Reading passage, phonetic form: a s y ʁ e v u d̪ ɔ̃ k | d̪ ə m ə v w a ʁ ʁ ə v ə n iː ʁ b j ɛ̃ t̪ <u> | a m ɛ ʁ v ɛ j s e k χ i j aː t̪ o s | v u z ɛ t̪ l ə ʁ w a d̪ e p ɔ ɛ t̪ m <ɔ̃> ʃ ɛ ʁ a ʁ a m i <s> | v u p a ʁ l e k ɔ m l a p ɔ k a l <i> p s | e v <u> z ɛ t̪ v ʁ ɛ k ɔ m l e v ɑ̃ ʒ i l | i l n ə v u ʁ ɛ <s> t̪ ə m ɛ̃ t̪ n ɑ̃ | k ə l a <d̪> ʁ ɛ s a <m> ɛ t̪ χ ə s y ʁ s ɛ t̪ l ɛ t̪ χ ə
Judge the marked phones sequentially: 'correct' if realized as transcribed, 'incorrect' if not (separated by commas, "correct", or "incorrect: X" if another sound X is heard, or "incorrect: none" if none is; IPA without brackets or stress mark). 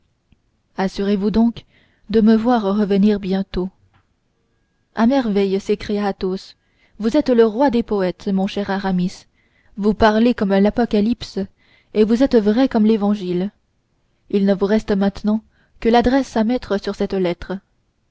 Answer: incorrect: o, correct, correct, correct, correct, correct, correct, correct